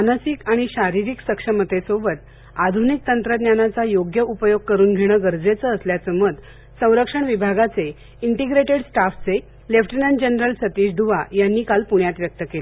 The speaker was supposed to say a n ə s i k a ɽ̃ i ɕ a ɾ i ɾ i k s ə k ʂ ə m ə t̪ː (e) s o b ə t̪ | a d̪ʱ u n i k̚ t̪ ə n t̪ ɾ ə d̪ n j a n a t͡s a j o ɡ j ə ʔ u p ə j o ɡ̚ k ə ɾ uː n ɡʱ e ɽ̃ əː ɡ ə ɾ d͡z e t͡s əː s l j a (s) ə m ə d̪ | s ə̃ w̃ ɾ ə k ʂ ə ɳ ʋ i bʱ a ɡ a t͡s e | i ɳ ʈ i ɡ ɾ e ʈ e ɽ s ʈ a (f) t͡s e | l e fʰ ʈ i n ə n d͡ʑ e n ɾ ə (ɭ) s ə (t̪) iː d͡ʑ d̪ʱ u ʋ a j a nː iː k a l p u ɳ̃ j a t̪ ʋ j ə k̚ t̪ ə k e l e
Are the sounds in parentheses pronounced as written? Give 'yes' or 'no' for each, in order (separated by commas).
yes, no, yes, no, yes